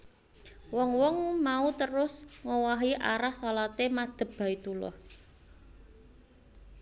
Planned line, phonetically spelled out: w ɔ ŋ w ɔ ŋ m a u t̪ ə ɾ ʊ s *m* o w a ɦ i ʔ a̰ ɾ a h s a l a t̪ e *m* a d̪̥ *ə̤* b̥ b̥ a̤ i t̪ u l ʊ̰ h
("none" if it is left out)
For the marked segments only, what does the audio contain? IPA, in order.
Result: ŋ, m, ə̤

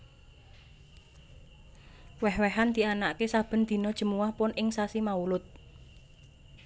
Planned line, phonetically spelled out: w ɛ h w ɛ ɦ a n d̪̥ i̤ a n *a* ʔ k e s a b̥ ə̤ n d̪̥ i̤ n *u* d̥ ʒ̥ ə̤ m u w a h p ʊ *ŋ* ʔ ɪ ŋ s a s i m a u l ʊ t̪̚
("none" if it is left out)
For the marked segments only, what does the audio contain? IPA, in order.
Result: a, ɔ, n

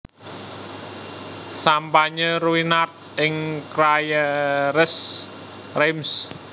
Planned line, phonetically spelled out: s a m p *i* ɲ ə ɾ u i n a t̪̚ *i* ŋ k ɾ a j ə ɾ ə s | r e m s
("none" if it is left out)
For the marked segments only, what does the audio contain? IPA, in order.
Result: a, ɪ

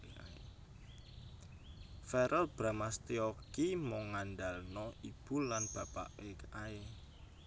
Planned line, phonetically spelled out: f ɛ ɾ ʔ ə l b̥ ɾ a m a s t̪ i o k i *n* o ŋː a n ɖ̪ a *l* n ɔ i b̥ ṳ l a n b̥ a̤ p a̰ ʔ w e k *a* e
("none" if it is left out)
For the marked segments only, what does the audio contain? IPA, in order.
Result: m, l, a

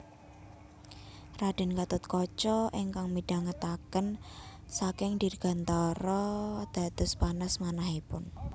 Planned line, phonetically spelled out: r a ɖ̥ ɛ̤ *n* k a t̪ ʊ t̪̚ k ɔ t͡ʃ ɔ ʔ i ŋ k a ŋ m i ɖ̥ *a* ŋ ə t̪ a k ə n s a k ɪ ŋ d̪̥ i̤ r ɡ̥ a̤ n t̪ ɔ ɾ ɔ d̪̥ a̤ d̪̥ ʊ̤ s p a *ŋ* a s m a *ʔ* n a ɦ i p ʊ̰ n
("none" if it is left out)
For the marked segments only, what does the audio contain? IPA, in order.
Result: n, a, n, none

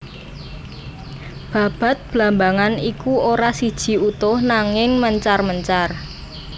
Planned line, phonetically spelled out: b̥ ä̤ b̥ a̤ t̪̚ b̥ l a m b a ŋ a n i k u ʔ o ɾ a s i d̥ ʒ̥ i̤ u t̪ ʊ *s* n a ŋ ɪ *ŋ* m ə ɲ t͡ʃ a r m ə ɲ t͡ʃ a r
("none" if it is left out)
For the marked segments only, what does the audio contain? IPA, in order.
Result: h, ŋ

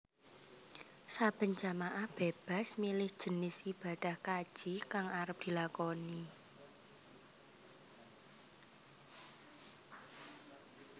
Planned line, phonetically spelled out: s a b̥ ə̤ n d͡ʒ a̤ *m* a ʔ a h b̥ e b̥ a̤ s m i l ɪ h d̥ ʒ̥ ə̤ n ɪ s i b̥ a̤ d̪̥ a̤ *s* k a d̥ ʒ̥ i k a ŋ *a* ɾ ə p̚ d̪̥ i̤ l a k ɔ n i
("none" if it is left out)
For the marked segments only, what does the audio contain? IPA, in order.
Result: m, h, a

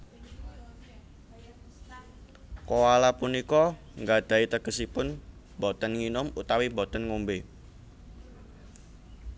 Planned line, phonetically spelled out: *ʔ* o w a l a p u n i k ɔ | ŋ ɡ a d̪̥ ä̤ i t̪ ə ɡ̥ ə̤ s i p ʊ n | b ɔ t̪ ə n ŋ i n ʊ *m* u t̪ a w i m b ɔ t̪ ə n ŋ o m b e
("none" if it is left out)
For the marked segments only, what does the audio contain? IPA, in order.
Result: k, m

